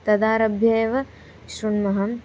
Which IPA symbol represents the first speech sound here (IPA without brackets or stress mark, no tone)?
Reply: t̪